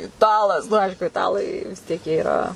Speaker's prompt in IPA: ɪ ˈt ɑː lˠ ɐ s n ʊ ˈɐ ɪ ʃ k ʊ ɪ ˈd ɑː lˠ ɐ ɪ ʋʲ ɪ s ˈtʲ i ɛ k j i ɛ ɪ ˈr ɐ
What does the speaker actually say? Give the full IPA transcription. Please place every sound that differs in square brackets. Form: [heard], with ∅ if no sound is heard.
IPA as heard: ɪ ˈt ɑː lˠ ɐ s n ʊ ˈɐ ɪ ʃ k ʊ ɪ [ˈt] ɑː lˠ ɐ ɪ ʋʲ ɪ s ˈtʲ i ɛ k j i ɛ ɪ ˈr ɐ